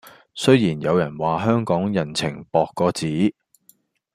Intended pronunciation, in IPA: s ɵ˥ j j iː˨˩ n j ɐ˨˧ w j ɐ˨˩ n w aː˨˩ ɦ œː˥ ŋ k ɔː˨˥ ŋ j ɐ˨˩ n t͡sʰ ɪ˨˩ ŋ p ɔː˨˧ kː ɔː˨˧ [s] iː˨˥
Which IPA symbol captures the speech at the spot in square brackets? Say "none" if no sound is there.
t͡s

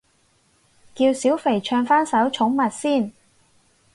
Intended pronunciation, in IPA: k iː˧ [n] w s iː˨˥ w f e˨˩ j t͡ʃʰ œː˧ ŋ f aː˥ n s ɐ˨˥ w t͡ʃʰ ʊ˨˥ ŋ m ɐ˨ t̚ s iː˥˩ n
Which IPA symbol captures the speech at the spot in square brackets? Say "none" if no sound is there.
none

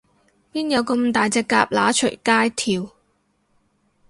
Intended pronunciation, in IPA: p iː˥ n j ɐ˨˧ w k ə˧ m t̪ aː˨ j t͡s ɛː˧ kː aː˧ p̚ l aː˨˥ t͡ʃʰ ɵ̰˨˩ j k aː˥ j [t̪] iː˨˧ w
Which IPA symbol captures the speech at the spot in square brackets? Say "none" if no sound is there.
t̪ʰ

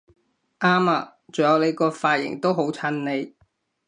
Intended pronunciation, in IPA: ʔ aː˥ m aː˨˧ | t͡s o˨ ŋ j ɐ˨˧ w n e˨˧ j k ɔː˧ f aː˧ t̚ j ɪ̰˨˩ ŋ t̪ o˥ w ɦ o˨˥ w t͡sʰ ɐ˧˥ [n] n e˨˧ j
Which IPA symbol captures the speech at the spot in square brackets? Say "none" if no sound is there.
n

